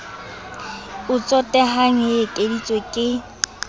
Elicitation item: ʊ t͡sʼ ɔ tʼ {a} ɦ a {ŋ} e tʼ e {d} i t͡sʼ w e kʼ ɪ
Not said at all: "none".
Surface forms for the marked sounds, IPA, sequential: ɛ, ŋ, d

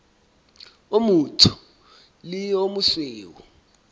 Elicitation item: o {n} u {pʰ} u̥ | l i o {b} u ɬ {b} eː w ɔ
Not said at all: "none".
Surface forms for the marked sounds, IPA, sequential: m, tʰ, m, w

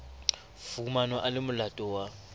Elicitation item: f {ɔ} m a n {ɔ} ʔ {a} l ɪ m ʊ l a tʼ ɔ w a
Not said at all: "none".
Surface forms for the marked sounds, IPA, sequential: u, ɔ, a

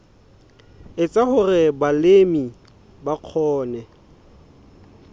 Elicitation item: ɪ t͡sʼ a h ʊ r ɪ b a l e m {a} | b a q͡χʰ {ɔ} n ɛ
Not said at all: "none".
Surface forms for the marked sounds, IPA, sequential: i, ɔː

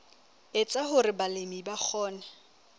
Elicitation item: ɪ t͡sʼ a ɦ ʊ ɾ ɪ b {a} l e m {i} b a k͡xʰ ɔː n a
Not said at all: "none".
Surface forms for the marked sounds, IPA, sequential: a, i

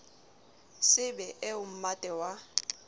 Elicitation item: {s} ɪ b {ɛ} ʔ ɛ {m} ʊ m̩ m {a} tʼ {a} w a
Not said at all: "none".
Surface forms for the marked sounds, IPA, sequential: s, ɛ, none, a, ɛ

